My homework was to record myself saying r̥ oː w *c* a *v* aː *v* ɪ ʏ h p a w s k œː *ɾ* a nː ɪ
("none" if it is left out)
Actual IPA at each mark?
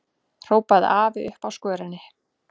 p, ð, v, ɾ

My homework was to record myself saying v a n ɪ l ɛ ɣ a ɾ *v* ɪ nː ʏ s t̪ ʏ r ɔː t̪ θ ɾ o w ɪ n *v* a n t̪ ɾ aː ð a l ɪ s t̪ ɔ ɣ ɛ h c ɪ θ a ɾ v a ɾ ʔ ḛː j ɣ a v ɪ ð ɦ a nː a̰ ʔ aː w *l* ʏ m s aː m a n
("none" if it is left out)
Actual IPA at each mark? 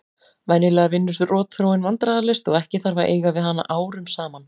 v, v, ɾ

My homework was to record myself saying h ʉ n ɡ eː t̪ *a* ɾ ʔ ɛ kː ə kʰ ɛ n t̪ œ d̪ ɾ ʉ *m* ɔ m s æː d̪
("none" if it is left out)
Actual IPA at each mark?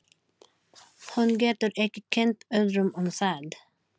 ə, m

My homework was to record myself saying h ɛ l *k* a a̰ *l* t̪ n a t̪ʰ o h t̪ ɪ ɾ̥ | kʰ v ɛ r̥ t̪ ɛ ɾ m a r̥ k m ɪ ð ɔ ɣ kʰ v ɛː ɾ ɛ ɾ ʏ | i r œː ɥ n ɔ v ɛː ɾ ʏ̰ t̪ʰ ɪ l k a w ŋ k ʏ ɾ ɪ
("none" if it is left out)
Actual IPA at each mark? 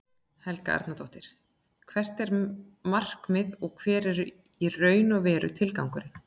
k, ɾ

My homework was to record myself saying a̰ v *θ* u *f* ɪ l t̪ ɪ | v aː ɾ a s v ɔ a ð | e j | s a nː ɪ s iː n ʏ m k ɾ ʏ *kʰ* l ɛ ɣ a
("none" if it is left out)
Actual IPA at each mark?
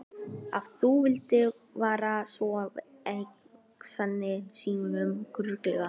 θ, v, k

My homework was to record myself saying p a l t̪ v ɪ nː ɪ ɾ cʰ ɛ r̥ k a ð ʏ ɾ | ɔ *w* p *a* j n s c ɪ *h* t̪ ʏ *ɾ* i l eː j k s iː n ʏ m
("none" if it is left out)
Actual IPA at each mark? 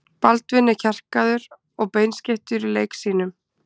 ɣ, e, h, ɾ

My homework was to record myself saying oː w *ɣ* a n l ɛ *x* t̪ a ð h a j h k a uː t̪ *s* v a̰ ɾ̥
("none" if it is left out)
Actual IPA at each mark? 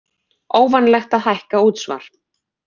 v, x, s

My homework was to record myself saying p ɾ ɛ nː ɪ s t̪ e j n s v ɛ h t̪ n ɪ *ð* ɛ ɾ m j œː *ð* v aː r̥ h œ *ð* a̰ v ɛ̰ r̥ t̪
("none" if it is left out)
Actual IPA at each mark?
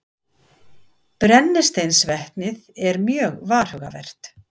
ð, ɣ, ɣ

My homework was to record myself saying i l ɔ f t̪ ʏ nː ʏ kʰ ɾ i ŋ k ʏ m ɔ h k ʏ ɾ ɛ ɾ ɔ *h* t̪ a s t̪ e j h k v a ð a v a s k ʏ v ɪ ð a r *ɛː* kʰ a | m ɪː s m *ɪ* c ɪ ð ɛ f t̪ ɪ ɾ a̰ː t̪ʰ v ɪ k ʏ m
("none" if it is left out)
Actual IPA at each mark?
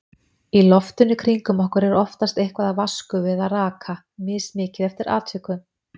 f, aː, ɪː

